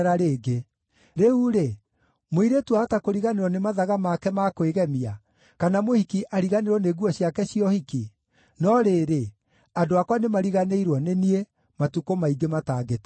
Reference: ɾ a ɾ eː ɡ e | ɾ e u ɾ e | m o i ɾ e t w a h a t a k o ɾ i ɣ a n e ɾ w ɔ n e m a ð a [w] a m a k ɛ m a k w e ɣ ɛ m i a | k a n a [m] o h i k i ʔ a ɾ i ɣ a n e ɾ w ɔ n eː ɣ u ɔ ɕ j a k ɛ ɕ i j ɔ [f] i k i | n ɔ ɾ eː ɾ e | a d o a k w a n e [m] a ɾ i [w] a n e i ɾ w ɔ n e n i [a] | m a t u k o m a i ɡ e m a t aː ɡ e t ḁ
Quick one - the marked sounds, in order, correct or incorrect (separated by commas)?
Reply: incorrect, correct, incorrect, correct, incorrect, incorrect